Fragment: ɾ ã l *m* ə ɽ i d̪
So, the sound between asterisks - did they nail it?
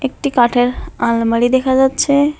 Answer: yes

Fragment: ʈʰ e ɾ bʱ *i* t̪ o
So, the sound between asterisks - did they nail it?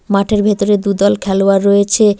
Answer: no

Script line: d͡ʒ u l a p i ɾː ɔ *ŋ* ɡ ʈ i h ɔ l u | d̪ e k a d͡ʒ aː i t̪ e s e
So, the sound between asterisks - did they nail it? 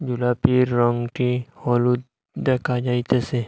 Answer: yes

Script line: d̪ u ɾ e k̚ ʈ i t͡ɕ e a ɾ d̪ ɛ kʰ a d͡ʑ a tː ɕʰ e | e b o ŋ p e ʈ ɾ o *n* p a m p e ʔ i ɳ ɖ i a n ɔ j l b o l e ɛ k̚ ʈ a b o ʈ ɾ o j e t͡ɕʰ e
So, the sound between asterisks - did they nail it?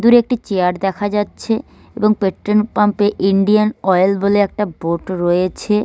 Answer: yes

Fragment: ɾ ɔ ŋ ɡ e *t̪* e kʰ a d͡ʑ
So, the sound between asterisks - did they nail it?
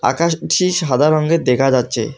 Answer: no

